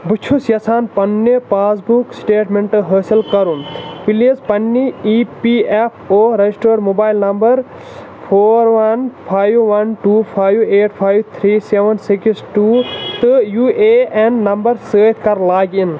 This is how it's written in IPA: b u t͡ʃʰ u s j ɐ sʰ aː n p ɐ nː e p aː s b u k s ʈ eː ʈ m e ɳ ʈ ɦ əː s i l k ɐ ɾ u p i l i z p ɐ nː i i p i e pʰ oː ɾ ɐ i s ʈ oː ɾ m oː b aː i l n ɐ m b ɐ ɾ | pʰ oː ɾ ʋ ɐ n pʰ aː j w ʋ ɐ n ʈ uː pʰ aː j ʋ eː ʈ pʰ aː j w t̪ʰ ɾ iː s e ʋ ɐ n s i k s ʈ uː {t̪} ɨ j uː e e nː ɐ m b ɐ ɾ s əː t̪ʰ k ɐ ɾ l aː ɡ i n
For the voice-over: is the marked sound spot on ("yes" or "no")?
yes